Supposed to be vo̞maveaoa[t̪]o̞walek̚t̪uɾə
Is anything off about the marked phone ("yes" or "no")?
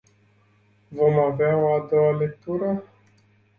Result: yes